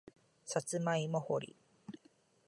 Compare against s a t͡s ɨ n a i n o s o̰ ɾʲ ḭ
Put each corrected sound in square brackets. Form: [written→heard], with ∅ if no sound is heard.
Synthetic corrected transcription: s a t͡s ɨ [n→m] a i [n→m] o [s→h] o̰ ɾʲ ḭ